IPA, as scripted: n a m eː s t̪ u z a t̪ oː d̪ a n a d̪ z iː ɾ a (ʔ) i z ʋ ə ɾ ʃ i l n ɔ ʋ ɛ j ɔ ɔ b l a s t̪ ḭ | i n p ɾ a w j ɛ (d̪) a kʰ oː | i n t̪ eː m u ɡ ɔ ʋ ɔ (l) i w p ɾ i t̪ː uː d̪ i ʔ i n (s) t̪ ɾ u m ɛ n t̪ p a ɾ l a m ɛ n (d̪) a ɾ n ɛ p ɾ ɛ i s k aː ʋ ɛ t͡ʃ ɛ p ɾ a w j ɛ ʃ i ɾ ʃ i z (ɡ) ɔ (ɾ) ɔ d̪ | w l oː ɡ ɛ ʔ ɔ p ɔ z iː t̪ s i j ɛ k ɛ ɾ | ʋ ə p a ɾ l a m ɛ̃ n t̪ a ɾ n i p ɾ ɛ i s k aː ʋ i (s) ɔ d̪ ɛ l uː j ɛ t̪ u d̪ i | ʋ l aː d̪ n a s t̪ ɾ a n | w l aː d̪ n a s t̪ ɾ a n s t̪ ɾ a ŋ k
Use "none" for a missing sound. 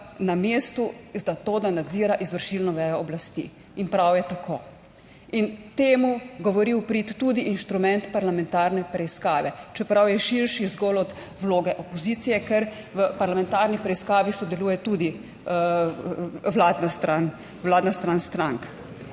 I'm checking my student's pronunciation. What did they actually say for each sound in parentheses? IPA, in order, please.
ʔ, t̪, ɾ, ʃ, t̪, ɡ, l, s

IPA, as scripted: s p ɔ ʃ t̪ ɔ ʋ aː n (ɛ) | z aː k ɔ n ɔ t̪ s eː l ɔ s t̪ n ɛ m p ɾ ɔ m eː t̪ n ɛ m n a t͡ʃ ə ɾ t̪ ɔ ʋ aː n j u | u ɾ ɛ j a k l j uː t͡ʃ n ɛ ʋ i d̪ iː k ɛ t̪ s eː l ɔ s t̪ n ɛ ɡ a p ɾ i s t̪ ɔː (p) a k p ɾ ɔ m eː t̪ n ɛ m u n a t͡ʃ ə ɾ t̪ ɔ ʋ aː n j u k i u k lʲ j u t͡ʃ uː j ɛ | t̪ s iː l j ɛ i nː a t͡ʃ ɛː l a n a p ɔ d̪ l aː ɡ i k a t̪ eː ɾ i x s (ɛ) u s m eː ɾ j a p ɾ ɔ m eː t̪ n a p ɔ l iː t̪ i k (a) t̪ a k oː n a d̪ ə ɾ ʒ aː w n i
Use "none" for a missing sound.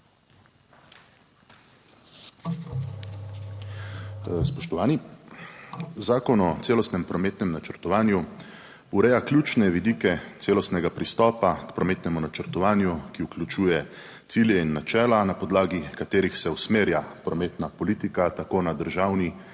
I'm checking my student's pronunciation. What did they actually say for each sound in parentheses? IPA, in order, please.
i, p, ɛ, a

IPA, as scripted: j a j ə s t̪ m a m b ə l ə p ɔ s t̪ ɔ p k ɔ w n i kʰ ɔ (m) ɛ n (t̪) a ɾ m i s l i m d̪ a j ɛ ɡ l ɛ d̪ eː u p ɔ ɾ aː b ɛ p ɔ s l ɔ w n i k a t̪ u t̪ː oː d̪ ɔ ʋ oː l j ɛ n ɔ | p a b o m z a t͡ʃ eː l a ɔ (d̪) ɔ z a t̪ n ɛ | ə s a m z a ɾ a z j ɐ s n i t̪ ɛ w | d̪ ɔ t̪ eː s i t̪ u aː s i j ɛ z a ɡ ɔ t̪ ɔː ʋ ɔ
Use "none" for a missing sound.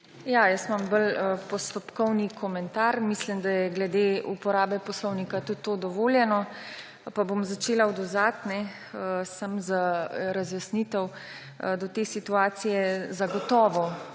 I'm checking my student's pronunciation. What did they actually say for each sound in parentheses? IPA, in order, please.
m, t̪, d̪

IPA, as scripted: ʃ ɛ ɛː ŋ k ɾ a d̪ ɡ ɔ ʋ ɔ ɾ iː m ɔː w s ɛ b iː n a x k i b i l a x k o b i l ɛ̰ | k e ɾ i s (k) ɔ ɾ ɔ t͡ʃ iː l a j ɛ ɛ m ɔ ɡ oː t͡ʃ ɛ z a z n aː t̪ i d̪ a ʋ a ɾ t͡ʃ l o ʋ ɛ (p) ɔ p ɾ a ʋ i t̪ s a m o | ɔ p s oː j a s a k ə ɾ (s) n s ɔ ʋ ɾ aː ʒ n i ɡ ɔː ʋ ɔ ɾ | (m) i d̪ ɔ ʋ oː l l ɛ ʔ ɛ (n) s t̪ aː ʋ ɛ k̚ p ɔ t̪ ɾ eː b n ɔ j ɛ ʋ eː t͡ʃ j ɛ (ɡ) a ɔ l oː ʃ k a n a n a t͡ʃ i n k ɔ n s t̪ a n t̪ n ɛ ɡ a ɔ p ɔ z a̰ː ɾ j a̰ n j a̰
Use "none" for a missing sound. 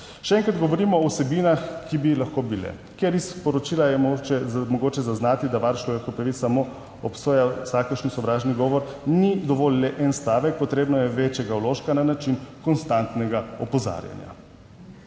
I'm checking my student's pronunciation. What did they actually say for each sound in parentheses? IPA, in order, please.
p, k, ʃ, n, n, ɡ

